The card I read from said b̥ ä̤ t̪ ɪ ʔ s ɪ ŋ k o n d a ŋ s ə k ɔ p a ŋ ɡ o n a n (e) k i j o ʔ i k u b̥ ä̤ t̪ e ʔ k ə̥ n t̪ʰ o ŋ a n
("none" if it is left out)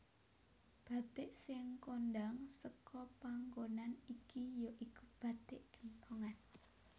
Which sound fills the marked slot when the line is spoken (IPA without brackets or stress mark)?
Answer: i